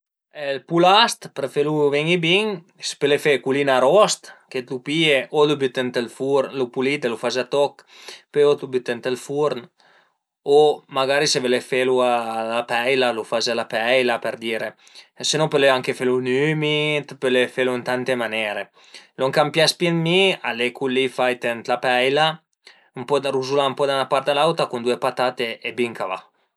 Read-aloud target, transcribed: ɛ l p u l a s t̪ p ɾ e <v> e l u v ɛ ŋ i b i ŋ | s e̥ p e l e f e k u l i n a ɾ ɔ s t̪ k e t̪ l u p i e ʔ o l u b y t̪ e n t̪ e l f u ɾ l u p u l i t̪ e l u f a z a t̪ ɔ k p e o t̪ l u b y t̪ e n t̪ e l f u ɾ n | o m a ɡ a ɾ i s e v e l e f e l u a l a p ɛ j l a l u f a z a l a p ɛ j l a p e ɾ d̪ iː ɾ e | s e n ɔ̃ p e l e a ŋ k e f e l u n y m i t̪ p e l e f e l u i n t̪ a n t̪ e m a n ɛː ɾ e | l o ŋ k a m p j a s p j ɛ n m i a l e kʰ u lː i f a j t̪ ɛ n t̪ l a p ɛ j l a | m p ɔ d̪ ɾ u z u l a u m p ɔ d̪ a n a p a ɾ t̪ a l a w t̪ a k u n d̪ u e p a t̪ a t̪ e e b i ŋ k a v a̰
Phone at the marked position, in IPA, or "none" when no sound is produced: f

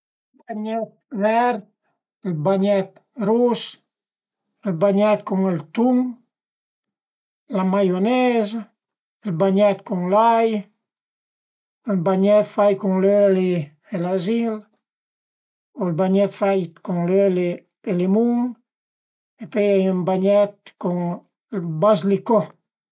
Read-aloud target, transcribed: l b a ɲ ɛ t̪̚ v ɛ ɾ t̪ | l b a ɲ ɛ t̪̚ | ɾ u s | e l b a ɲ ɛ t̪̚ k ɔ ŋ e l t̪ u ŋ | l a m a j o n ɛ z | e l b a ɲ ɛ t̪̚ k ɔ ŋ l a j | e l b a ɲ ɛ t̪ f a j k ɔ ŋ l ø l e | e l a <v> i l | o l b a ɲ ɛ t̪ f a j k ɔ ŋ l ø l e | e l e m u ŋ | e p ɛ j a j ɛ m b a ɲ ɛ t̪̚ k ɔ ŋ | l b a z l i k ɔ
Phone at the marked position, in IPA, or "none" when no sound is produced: z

